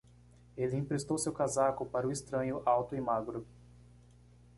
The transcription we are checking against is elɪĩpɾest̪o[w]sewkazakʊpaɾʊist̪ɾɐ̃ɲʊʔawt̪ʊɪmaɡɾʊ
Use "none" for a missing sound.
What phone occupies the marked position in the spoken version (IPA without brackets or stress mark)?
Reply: w